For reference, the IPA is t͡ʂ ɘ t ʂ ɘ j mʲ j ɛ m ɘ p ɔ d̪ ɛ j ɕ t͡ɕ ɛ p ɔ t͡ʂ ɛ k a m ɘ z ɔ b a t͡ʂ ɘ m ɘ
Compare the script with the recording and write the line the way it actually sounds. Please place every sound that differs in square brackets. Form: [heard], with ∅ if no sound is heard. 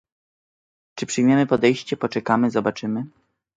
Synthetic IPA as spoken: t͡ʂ ɘ [p] ʂ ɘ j mʲ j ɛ m ɘ p ɔ d̪ ɛ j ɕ t͡ɕ ɛ p ɔ t͡ʂ ɛ k a m ɘ z ɔ b a t͡ʂ ɘ m ɘ

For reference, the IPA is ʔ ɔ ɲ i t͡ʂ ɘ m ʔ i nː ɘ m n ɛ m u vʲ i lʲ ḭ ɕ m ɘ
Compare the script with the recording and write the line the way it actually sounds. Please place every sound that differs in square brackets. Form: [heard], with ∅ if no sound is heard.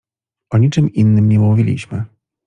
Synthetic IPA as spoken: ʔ ɔ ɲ i t͡ʂ ɘ m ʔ i nː ɘ m [ɲ] ɛ m u vʲ i lʲ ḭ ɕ m ɘ

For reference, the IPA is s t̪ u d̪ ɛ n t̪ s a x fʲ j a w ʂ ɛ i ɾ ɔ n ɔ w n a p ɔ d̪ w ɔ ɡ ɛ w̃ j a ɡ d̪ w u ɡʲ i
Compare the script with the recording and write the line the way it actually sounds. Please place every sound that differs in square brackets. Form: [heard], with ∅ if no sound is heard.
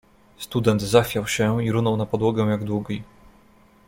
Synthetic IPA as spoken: s t̪ u d̪ ɛ n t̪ [z] a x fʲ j a w [ɕ] ɛ i ɾ [u] n ɔ w n a p ɔ d̪ w ɔ ɡ ɛ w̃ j a ɡ d̪ w u ɡʲ i

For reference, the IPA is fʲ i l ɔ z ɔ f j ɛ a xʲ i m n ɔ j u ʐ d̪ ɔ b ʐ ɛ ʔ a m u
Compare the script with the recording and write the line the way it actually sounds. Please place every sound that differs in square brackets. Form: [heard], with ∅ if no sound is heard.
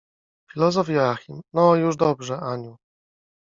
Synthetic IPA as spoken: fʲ i l ɔ z ɔ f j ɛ a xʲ i m n ɔ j u ʐ d̪ ɔ b ʐ ɛ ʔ a [ɲ] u

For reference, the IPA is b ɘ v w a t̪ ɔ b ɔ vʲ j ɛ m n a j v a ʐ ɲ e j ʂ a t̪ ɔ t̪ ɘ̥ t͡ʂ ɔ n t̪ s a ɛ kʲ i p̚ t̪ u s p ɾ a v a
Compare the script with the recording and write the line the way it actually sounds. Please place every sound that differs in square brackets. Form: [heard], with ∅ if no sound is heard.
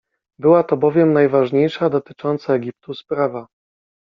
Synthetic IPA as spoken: b ɘ [∅] w a t̪ ɔ b ɔ vʲ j ɛ m n a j v a ʐ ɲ e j ʂ a [d̪] ɔ t̪ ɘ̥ t͡ʂ ɔ n t̪ s a ɛ [ɡʲ] i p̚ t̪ u s p ɾ a v a

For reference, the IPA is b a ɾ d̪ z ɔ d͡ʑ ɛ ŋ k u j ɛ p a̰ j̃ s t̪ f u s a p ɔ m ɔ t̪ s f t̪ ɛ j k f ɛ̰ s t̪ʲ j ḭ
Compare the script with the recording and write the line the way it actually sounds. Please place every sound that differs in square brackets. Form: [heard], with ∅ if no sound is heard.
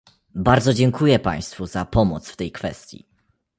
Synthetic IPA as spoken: b a ɾ d̪ z ɔ d͡ʑ ɛ ŋ k u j ɛ p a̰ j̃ s t̪ f u [z] a p ɔ m ɔ t̪ s f t̪ ɛ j k f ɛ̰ s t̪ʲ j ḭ

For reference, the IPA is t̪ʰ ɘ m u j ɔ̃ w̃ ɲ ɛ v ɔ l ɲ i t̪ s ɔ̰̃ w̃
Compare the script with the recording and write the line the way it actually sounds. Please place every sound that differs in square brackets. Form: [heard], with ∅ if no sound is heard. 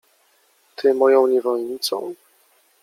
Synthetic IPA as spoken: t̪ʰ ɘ m [ɔ] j ɔ̃ w̃ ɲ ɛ v ɔ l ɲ i t̪ s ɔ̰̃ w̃

